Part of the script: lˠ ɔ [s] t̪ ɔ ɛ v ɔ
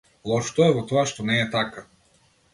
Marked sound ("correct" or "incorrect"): incorrect